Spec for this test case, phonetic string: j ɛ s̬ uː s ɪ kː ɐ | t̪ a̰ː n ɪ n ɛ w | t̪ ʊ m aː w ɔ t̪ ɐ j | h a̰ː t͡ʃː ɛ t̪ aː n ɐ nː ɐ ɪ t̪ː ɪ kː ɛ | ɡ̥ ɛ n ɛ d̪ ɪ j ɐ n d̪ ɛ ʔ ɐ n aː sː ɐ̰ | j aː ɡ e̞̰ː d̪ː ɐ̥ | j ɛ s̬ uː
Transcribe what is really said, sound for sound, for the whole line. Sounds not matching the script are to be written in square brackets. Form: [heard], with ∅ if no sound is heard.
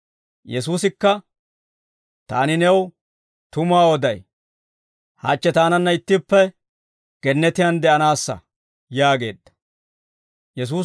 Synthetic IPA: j ɛ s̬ uː s ɪ kː ɐ | t̪ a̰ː n ɪ n ɛ w | t̪ ʊ m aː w ɔ [d̪] ɐ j | h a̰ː t͡ʃː ɛ t̪ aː n ɐ nː ɐ ɪ t̪ː ɪ [pː] ɛ | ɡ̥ ɛ [nː] ɛ [t̪] ɪ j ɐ n d̪ ɛ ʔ ɐ n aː sː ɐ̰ | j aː ɡ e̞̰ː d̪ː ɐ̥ | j ɛ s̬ uː